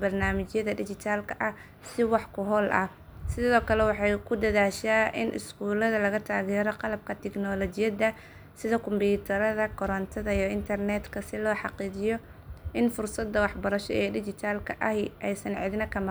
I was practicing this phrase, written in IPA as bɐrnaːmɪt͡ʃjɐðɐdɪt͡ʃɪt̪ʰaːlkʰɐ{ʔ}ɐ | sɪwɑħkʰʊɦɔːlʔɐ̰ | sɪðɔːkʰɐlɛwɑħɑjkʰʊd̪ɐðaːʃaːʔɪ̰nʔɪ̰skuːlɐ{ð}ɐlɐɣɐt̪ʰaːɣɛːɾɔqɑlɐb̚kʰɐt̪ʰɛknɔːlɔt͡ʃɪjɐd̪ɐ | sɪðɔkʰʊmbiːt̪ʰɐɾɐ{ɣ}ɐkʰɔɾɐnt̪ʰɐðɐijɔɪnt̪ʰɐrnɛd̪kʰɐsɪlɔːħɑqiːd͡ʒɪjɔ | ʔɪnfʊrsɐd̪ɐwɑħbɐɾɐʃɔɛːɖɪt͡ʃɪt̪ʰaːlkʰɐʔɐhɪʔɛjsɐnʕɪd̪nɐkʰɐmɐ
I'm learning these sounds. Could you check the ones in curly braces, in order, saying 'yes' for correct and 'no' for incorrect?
yes, yes, no

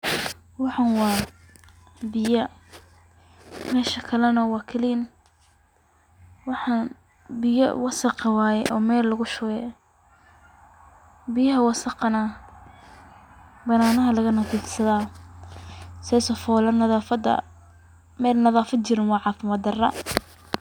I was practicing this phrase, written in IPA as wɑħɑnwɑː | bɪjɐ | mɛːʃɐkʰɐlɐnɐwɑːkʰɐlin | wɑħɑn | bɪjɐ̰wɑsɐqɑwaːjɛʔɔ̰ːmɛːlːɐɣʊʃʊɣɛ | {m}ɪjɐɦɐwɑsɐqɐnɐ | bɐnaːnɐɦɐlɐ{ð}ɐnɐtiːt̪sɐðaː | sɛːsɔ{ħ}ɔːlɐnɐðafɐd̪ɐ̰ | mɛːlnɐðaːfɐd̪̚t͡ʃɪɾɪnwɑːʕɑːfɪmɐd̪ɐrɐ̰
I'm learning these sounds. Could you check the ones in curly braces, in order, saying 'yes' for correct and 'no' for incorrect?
no, no, no

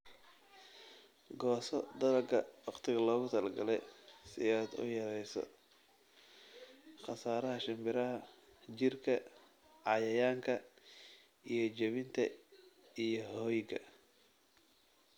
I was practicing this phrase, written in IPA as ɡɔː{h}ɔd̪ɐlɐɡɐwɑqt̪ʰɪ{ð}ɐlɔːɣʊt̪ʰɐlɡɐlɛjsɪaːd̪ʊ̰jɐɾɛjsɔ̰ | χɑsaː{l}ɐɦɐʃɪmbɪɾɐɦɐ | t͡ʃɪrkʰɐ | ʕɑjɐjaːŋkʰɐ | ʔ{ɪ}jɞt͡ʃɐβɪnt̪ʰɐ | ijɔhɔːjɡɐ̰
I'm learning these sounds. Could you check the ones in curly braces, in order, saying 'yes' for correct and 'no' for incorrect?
no, no, no, no

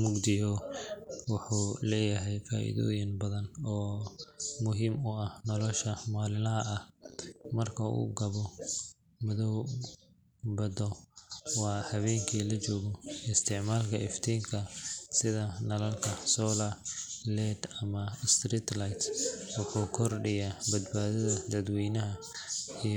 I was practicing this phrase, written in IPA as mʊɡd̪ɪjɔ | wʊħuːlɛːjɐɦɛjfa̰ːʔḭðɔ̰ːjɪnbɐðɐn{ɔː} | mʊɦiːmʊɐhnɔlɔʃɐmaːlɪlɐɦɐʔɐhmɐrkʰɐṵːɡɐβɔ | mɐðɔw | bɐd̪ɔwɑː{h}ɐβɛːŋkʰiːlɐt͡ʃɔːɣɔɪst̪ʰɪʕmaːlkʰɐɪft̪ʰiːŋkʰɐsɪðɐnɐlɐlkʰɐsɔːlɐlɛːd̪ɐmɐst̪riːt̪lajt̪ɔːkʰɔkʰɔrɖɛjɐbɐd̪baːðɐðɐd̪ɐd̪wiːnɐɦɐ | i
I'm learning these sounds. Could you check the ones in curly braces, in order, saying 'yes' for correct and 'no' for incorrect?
yes, yes

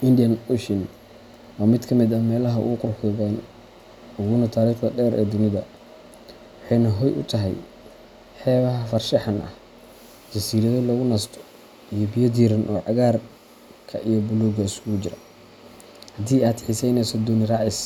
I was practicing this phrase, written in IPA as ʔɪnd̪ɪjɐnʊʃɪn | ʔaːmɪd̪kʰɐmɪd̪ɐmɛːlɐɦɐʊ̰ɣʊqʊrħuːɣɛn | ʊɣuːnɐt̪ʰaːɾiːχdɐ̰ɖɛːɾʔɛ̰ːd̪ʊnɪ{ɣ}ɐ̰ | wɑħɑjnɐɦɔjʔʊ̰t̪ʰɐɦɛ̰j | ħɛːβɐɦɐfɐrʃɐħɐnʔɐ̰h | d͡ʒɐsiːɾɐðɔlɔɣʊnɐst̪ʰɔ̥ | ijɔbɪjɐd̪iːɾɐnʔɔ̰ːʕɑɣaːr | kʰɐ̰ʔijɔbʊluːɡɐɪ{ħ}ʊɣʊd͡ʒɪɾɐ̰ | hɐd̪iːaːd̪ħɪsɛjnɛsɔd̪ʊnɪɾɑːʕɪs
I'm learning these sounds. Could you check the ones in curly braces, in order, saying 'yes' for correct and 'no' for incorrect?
no, no

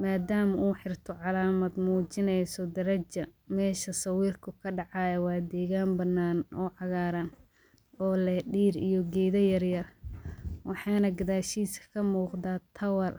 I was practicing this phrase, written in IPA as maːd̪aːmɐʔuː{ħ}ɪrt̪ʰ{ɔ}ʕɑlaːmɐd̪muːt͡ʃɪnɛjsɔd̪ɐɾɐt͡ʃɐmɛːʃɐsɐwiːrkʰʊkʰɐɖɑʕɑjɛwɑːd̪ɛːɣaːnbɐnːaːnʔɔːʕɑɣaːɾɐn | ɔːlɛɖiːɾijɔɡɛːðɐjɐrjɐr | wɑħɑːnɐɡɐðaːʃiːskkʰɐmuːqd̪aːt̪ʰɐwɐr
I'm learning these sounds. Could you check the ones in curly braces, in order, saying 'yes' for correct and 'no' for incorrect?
yes, yes

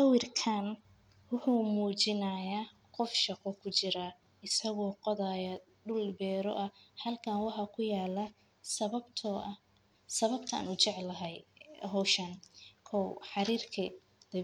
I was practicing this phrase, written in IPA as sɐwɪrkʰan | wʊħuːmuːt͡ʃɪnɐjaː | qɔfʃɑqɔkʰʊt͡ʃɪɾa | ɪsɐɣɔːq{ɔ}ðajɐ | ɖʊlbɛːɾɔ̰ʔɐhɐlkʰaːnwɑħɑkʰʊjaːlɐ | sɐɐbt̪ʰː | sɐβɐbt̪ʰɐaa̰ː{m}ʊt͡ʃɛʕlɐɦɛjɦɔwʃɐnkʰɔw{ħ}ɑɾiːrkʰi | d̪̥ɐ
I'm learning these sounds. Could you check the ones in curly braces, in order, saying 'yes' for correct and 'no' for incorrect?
yes, no, yes

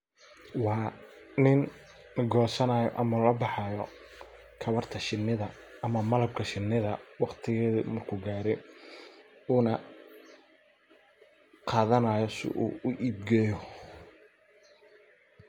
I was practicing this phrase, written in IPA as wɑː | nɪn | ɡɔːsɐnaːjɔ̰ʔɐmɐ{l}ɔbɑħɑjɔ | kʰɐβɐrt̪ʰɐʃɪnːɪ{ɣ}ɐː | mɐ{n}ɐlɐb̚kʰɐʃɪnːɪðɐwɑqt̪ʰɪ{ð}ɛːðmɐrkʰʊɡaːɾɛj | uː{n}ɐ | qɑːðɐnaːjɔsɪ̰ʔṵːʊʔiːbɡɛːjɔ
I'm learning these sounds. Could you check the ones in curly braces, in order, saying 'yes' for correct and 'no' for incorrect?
yes, no, no, no, yes

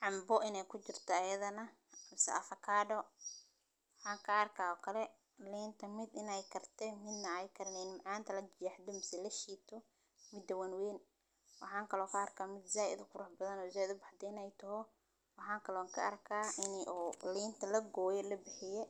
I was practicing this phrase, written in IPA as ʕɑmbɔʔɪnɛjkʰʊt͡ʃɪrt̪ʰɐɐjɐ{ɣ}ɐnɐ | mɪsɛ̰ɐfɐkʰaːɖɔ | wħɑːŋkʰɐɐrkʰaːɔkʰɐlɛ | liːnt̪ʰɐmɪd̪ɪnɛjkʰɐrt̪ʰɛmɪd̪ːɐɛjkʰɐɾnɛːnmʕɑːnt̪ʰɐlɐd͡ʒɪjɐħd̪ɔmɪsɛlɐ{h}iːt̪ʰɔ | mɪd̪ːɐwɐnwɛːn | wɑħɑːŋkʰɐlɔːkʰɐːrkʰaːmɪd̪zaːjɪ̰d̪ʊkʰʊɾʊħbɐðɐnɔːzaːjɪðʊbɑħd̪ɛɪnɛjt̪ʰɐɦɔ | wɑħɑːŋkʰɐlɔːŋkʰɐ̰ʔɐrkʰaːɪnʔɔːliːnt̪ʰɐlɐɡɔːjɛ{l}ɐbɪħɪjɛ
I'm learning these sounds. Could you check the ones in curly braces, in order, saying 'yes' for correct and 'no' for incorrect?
no, no, yes

